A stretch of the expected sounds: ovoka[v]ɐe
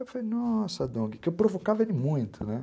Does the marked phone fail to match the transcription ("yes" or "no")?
no